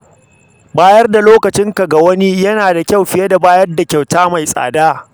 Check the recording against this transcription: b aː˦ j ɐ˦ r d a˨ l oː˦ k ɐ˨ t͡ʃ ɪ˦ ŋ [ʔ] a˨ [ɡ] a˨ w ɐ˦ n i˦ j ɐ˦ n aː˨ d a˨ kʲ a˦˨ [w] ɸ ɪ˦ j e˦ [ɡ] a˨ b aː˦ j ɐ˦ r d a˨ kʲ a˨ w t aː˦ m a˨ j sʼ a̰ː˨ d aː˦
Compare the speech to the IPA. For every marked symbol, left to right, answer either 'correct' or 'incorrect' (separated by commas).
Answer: incorrect, correct, correct, incorrect